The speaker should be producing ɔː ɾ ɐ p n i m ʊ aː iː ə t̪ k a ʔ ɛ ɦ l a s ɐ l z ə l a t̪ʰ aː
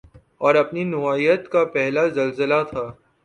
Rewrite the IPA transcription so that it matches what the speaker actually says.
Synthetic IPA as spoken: ɔː ɾ ɐ p n i n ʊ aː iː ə t̪ k a p ɛ ɦ l a z ɐ l z ə l a t̪ʰ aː